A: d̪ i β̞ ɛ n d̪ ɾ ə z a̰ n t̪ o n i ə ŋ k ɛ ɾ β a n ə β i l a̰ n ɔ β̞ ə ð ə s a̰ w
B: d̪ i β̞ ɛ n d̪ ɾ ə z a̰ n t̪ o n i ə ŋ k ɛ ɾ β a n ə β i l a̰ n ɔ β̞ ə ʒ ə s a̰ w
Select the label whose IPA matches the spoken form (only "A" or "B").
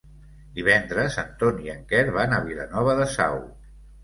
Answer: A